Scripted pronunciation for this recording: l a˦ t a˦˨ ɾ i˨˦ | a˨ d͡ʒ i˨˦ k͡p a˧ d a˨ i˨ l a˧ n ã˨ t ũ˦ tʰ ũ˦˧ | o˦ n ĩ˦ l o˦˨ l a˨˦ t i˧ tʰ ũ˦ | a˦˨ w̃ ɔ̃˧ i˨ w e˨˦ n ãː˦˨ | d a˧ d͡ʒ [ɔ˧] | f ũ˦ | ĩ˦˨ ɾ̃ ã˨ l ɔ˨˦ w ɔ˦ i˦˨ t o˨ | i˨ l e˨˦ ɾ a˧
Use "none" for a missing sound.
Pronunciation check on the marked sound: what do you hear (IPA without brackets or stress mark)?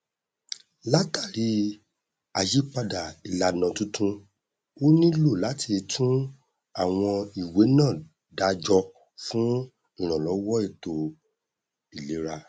ɔ˧